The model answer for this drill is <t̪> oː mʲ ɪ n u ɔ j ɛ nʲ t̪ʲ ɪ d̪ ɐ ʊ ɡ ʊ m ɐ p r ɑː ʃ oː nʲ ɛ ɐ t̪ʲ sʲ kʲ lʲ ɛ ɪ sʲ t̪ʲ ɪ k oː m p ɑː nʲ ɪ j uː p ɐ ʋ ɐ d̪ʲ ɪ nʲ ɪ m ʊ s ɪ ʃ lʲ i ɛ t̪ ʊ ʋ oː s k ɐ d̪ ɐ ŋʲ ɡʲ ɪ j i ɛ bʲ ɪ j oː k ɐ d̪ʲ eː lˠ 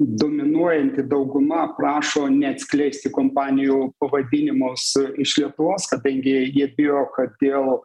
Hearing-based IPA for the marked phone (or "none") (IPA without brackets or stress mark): d̪